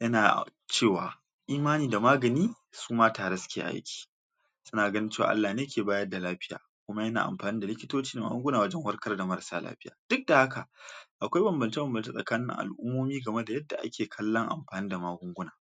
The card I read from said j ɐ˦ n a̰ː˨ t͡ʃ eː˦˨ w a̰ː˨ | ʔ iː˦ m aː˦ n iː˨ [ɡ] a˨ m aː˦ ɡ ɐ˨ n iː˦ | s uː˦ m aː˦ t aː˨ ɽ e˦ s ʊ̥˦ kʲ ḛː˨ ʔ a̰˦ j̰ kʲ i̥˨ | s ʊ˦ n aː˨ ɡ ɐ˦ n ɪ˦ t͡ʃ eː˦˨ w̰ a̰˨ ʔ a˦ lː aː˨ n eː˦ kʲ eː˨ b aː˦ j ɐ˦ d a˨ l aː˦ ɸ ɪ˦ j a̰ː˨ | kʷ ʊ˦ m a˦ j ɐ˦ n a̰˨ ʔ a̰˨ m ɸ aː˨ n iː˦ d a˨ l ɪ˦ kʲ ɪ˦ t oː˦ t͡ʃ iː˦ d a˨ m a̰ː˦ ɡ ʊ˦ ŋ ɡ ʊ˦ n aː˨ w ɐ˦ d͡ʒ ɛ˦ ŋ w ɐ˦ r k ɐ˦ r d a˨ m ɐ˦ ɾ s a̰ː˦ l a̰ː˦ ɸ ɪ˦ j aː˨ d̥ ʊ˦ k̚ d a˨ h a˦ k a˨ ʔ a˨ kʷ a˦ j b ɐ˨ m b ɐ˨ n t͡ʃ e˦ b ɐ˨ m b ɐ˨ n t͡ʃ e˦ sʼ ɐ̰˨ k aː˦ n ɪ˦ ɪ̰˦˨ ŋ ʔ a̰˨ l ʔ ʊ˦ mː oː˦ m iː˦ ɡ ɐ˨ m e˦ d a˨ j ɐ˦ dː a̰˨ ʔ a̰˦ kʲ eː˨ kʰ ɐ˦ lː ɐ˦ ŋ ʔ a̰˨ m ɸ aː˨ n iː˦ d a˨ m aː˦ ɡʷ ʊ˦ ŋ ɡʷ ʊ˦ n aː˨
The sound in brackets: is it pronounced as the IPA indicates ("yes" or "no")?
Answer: no